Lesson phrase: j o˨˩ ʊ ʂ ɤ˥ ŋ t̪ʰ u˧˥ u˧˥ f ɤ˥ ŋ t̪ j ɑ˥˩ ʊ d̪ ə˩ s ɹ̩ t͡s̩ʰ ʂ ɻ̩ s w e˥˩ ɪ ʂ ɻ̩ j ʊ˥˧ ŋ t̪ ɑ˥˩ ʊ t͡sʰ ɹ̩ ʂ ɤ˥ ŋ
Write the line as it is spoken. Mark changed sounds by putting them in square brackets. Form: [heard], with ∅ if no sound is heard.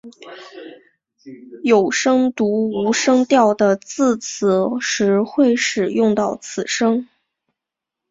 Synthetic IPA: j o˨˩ ʊ ʂ ɤ˥ ŋ [t̪] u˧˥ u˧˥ [ʂ] ɤ˥ ŋ t̪ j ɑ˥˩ ʊ d̪ ə˩ [t͡s] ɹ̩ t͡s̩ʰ ʂ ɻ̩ [x] w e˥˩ ɪ ʂ ɻ̩ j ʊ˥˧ ŋ t̪ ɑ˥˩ ʊ t͡sʰ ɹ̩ ʂ ɤ˥ ŋ